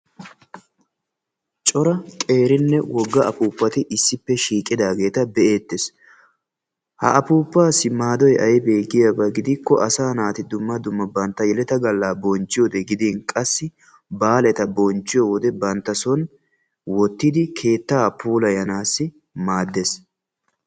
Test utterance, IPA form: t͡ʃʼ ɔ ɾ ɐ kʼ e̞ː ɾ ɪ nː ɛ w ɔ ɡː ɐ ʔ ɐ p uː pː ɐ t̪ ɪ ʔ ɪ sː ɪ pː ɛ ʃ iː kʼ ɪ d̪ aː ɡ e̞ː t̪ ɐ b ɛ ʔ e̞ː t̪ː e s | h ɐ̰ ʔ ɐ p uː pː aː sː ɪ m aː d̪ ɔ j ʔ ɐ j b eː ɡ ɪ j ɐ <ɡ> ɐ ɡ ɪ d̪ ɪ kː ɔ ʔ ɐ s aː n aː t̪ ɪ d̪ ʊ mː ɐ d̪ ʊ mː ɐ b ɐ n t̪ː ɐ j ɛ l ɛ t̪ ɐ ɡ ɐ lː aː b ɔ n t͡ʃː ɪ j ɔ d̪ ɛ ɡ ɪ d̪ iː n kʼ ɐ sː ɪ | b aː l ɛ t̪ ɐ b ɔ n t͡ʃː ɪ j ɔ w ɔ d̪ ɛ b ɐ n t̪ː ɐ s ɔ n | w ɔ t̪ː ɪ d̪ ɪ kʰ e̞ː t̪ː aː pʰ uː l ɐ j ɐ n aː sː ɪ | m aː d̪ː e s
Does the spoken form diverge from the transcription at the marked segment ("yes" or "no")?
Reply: yes